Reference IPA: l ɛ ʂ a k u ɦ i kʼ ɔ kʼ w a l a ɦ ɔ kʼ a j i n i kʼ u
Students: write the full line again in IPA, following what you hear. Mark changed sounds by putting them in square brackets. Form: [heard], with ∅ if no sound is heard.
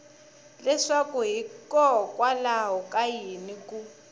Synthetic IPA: l ɛ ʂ a k u ɦ i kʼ ɔ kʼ w a l a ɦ ɔ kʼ a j i n i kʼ u

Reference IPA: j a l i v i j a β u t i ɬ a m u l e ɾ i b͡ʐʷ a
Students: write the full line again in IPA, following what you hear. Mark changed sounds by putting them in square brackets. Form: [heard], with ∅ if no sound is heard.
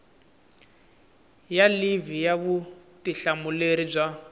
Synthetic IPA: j a l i v i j a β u t i ɬ a m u l e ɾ i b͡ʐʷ a

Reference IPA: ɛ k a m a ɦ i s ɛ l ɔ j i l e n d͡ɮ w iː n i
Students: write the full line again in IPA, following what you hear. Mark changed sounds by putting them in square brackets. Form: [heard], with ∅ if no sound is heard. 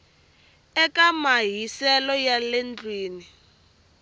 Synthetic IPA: ɛ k a m a ɦ i s ɛ l ɔ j [a] l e n d͡ɮ w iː n i

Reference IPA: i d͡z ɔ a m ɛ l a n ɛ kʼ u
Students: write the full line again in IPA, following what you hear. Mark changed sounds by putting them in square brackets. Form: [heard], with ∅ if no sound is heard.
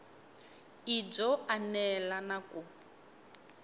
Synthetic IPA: i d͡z ɔ a [n] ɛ l a n [a] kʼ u

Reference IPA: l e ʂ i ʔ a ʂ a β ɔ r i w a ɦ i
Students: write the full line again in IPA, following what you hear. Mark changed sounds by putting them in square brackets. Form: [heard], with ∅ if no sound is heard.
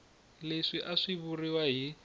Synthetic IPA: l e ʂ i ʔ a ʂ [i] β [u] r i w a ɦ i

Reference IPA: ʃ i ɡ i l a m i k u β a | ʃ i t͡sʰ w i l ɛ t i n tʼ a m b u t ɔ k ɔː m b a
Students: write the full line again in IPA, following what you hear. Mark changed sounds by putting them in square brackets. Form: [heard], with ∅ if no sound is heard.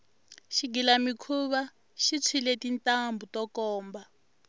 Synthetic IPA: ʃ i ɡ i l a m i [kʰ] u β a | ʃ i t͡sʰ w i l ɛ t i n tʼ a m b u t ɔ k ɔː m b a

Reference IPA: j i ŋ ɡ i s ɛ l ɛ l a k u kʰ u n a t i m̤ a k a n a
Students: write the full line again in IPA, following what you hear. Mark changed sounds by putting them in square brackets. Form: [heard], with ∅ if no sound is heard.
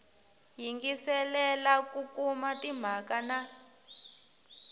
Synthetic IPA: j i ŋ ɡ i s ɛ l ɛ l a k u [k] u [m] a t i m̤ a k a n a

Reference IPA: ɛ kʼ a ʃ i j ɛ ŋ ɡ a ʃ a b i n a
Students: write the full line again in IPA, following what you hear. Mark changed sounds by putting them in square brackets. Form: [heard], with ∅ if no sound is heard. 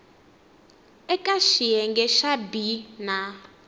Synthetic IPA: ɛ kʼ a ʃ i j ɛ ŋ ɡ [ɛ] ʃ a b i n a

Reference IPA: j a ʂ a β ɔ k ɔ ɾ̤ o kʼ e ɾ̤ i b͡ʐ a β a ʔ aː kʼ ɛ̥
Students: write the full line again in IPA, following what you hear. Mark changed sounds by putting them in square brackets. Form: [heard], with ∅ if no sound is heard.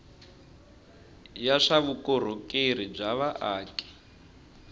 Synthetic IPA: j a ʂ a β [u] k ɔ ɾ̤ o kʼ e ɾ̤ i b͡ʐ a β a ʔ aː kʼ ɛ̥

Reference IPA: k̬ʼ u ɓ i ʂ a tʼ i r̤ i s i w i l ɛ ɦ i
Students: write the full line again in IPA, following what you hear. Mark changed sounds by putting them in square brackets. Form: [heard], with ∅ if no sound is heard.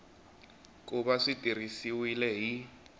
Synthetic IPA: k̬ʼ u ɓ [a] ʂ [i] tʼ i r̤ i s i w i l ɛ ɦ i

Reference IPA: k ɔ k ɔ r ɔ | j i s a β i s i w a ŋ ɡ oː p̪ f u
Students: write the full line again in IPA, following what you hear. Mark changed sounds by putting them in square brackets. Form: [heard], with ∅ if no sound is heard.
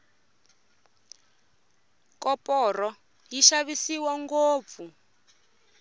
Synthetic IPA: k ɔ [p] ɔ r ɔ | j i [ʃ] a β i s i w a ŋ ɡ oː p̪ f u

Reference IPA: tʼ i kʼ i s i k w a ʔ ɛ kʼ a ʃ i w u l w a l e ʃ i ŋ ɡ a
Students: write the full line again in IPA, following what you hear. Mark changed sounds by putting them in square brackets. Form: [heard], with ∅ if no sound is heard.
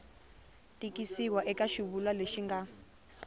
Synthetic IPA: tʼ i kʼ i s i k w a ʔ ɛ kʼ a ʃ i [β] u l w a l e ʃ i ŋ ɡ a

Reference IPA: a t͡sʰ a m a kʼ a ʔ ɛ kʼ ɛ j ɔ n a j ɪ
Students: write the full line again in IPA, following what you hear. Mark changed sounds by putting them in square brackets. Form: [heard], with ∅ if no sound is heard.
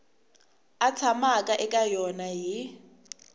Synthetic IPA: a t͡sʰ a m a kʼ a ʔ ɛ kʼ [a] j ɔ n a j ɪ

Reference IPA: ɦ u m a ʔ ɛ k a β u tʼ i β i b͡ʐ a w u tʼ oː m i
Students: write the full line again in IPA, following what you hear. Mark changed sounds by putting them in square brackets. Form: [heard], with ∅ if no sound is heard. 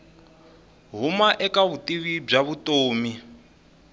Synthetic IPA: ɦ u m a ʔ ɛ k a β u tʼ i β i b͡ʐ a [β] u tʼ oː m i

